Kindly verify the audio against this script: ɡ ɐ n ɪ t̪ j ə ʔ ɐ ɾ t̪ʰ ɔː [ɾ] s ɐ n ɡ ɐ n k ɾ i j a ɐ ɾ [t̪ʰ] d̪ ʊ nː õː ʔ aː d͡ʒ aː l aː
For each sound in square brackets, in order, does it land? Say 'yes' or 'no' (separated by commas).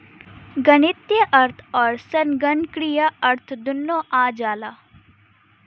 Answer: yes, yes